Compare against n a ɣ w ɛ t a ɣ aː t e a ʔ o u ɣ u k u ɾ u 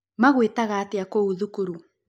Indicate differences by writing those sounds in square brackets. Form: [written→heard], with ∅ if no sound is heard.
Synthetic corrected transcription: [n→m] a ɣ w [ɛ→e] t a ɣ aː t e a [ʔ→k] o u [ɣ→ð] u k u ɾ u